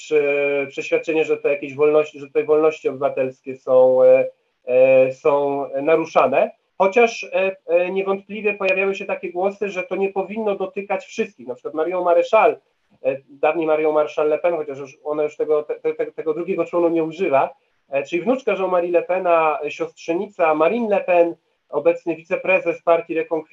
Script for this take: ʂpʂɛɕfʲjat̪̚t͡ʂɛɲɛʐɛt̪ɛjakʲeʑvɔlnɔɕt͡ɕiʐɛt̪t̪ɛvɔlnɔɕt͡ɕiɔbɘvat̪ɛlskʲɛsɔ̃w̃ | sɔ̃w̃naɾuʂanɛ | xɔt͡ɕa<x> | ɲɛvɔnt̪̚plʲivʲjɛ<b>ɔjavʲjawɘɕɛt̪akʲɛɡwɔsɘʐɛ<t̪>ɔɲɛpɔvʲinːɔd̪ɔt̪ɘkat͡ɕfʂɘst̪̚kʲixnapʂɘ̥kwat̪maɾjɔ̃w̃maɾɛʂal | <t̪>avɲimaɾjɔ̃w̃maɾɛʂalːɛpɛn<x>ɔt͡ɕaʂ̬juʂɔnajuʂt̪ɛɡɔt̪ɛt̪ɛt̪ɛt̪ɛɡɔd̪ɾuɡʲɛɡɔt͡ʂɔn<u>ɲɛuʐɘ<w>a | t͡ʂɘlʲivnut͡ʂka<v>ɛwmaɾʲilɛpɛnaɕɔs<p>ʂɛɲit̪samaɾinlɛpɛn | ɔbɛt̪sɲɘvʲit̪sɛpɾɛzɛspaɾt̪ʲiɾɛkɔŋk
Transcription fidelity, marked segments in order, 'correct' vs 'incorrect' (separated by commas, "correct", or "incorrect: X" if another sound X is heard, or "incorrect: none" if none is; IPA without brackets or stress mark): incorrect: ʂ, incorrect: p, correct, incorrect: d̪, correct, correct, incorrect: v, incorrect: ʐ, incorrect: t